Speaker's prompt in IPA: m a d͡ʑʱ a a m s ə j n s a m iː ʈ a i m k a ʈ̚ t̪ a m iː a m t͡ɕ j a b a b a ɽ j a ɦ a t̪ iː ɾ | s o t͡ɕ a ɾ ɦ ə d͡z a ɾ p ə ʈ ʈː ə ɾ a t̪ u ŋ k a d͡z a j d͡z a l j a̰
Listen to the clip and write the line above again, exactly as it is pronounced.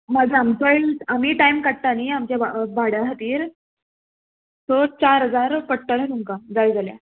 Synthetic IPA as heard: m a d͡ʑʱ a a m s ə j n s a m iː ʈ a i m k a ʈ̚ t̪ a n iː a m t͡ɕ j a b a b a ɽ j a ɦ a t̪ iː ɾ | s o t͡ɕ a ɾ ɦ ə d͡z a ɾ p ə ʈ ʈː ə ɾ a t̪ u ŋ k a d͡z a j d͡z a l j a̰